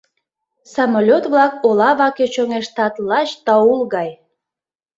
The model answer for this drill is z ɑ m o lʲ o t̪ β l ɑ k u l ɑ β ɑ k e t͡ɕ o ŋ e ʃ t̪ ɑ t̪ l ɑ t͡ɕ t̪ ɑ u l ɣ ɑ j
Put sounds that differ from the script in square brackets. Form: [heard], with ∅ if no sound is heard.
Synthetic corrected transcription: [s] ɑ m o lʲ o t̪ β l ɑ k [o] l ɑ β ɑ k e t͡ɕ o ŋ e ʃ t̪ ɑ t̪ l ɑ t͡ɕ t̪ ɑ u l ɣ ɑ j